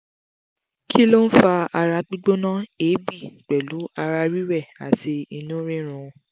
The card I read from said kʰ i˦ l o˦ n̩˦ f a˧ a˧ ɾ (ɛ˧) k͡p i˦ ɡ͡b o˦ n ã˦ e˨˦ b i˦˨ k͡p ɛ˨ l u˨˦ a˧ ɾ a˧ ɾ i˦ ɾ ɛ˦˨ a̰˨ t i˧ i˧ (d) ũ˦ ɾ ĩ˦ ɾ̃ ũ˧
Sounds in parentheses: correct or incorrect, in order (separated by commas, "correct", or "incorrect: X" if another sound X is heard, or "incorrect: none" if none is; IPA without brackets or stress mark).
incorrect: a˧, incorrect: n